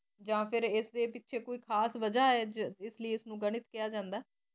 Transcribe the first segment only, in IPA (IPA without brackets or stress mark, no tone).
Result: d͡ʒ